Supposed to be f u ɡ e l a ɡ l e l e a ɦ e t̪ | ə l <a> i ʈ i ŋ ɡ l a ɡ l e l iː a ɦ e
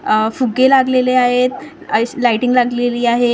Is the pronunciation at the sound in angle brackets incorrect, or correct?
correct